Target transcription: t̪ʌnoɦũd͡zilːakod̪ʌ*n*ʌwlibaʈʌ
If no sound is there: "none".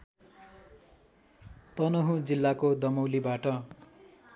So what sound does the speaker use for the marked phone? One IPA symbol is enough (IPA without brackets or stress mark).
m